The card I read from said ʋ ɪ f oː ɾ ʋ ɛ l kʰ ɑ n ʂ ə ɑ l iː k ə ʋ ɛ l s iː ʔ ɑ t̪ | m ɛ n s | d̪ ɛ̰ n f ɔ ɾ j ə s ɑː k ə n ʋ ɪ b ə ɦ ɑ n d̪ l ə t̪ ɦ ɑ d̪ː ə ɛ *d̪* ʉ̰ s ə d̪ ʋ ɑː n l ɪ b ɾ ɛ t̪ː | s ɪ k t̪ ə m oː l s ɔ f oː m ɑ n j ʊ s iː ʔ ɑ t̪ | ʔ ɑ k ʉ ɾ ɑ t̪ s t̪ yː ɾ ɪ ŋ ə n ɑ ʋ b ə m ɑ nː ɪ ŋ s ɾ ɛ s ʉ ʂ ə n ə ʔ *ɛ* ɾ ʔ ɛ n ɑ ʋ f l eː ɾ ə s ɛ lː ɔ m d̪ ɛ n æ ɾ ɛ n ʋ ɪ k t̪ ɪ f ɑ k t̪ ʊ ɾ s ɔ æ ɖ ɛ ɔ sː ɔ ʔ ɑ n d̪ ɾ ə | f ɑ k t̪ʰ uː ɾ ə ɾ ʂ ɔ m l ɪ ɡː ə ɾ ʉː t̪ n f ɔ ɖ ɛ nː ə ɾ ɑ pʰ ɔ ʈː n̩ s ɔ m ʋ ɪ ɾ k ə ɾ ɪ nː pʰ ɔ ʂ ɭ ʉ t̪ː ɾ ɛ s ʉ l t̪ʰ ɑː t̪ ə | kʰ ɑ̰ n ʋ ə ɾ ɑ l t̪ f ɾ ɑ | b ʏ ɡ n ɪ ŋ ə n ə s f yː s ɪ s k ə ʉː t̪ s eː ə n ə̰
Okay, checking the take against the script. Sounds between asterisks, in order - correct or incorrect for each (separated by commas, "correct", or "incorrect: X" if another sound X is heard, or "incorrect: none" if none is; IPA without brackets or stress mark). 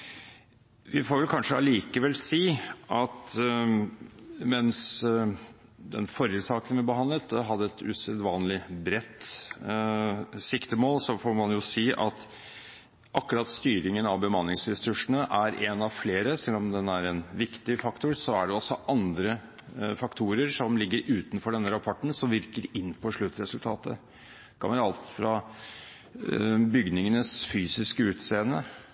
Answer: incorrect: t̪, incorrect: æ